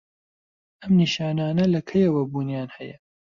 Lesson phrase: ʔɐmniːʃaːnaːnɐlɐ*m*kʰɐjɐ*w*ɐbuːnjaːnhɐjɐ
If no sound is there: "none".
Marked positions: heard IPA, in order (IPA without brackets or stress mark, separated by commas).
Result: none, w